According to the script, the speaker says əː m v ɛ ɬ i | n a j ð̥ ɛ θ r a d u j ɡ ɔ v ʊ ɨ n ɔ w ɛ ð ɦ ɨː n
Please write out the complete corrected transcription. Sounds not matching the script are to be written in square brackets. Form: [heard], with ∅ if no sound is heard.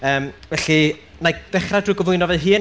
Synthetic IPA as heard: əː m v ɛ ɬ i | n a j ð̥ ɛ [χ] r a d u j ɡ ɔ v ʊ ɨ n ɔ [v] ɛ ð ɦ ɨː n

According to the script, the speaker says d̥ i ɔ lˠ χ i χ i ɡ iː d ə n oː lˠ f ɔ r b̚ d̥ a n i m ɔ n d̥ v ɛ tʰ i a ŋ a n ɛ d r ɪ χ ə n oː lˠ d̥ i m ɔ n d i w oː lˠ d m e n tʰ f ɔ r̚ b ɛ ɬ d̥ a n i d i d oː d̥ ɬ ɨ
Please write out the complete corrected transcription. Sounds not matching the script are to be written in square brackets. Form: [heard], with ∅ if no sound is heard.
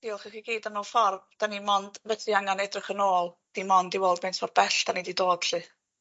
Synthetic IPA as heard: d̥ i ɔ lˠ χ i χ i ɡ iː d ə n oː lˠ f ɔ r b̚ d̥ a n i m ɔ n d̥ v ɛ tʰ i a ŋ a n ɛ d r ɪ χ ə n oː lˠ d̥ i m ɔ n d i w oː lˠ d m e n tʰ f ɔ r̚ b ɛ ɬ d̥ a n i d i d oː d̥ ɬ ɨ

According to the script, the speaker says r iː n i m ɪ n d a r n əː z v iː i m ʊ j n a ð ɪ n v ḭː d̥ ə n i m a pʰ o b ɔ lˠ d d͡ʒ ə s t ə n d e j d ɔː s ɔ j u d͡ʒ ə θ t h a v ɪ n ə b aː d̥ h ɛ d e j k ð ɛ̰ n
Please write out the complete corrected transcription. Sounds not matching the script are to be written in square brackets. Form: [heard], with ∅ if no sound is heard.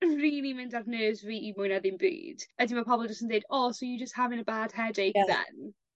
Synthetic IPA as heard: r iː n i m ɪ n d a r n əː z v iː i m ʊ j n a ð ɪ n [b] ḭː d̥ ə [d] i m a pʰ [ɔ] b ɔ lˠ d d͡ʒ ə s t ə n d e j d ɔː s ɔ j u d͡ʒ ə [s] t h a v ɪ n ə b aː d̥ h ɛ d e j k ð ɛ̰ n

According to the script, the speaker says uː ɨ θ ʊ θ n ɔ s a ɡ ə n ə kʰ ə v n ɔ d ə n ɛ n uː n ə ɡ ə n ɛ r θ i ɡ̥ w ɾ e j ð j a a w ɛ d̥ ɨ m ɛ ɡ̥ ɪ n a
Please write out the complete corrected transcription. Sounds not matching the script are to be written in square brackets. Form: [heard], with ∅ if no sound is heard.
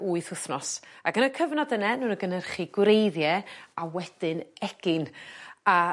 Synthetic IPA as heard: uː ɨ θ ʊ θ n ɔ s a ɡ ə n ə kʰ ə v n ɔ d ə n ɛ n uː n ə ɡ ə n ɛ r [χ] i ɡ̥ w ɾ e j ð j [ɛ] a w ɛ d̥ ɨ [n] ɛ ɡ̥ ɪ n a

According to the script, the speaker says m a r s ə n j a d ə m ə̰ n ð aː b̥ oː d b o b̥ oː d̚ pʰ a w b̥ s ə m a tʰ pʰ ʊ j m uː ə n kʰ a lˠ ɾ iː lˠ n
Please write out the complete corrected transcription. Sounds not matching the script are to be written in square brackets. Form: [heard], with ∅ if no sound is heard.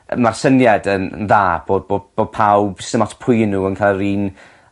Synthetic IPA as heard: m a r s ə n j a d ə [n] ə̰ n ð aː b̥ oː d b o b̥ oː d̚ pʰ a w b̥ s ə m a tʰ pʰ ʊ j [n] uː ə n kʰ a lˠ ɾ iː [∅] n

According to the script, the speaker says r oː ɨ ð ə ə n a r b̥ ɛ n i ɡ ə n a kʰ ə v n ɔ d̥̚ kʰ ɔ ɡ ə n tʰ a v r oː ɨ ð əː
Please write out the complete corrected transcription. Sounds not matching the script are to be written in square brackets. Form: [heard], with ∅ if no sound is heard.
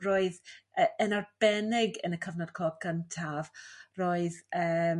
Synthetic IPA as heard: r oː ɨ ð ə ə n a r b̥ ɛ n [ɪ] ɡ ə n [ə] kʰ ə v n ɔ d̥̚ kʰ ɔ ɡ ə n tʰ a v r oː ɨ ð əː

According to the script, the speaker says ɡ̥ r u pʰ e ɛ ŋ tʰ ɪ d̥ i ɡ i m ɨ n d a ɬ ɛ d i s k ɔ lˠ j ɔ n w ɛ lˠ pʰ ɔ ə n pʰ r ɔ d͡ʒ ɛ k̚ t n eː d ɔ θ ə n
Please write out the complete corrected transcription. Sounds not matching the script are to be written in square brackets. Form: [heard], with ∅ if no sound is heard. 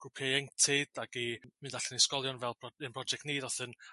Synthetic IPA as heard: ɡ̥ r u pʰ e ɛ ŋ tʰ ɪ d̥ [a] ɡ i m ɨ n d a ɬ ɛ [n] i s k ɔ lˠ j ɔ n [v] ɛ lˠ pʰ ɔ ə n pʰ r ɔ d͡ʒ ɛ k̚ t n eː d ɔ θ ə n

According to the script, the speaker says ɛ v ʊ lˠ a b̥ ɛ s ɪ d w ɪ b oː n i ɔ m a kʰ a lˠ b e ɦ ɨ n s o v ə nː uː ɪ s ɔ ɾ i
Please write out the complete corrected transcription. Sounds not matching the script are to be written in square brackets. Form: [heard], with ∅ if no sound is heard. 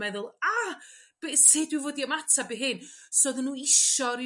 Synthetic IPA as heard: ɛ [ð] ʊ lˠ a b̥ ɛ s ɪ d w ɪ [v] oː [d] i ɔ m a [tʰ] a [∅] b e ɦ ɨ n s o [ð] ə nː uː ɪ [ʃ] ɔ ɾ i

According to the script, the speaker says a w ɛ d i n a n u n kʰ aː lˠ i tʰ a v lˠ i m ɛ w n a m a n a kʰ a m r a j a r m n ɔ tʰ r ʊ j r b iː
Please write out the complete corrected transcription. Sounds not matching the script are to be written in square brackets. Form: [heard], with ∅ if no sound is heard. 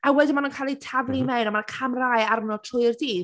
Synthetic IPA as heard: a w ɛ d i [m] a n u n kʰ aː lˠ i tʰ a v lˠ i m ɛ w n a m a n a kʰ a m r a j a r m n ɔ tʰ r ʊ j r [d] iː

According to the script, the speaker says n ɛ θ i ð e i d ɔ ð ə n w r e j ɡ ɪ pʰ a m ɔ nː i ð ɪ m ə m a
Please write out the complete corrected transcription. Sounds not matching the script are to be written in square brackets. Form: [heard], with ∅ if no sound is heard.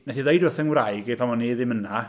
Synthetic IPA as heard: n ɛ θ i ð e [j] d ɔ [θ] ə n w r [a] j ɡ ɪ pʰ a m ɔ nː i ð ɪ m ə [n] a

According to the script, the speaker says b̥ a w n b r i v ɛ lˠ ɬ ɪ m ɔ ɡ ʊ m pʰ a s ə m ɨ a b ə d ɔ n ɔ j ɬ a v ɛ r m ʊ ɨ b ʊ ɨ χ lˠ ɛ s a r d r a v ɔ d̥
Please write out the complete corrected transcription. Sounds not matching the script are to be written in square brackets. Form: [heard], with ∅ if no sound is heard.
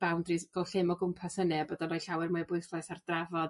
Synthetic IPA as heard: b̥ a w n [d] r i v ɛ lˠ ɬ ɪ m ɔ ɡ ʊ m pʰ a s ə [n] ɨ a b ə d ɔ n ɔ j ɬ a [w] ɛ r m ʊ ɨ b ʊ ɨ [θ] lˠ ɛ s a r d r a v ɔ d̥

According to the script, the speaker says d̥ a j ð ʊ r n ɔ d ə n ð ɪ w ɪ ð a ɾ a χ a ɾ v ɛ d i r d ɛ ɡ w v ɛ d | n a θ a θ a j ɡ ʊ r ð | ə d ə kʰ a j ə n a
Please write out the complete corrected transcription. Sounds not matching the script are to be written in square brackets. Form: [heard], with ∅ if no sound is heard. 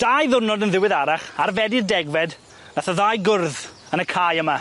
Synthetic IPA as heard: d̥ a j ð ʊ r n ɔ d ə n ð ɪ w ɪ ð a ɾ a χ a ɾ v ɛ d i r d ɛ ɡ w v ɛ d | n a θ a [ð] a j ɡ ʊ r ð | ə [n] ə kʰ a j ə [m] a

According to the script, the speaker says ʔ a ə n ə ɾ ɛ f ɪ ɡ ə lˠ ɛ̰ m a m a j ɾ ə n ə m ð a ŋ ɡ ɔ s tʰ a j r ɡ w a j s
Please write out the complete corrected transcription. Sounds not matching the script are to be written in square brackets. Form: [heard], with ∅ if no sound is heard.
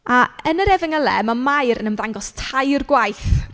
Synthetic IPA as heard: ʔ a ə n ə ɾ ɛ [v] ɪ [ŋ] ə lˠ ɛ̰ m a m a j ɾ ə n ə m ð a ŋ ɡ ɔ s tʰ a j r ɡ w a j [θ]

